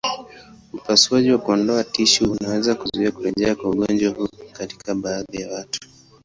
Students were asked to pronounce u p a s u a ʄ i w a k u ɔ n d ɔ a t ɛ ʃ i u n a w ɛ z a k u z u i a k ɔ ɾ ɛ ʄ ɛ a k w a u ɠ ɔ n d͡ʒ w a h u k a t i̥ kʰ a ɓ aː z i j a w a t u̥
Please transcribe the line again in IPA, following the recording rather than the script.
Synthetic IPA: u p a s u a ʄ i w a k u ɔ n d ɔ a t i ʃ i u n a w ɛ z a k u z u i a k u ɾ ɛ ʄ ɛ a k w a u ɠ ɔ n d͡ʒ w a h u k a t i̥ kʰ a ɓ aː ð i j a w a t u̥